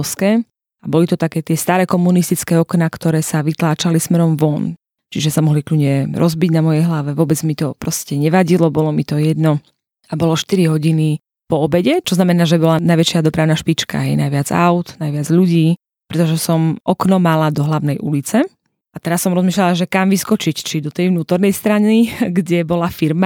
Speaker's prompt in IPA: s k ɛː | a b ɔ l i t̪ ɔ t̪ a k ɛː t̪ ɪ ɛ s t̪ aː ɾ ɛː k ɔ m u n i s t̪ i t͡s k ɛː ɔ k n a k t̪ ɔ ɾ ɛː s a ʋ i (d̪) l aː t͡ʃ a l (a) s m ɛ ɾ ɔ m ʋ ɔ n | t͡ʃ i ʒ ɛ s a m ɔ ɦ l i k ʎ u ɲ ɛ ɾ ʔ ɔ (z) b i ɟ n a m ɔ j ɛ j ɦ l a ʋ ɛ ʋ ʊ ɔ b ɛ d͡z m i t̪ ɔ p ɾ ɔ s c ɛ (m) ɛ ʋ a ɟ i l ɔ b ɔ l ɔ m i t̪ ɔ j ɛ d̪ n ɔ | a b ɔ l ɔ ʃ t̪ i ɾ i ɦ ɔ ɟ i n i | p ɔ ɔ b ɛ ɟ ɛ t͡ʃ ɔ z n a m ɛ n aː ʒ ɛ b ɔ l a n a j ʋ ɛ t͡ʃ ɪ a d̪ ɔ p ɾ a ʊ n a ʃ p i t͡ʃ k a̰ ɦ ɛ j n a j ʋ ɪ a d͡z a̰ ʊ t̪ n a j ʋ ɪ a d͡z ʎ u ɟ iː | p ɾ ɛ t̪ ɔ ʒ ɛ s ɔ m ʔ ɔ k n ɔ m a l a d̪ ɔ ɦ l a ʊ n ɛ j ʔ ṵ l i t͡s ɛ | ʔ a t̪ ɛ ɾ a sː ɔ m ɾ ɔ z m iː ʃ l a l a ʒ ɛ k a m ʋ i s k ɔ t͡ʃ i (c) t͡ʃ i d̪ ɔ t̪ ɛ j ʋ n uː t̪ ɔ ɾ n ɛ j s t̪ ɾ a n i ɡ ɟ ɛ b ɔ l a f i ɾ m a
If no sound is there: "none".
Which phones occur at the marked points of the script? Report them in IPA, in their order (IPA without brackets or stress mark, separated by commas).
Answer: t̪, i, z, ɲ, c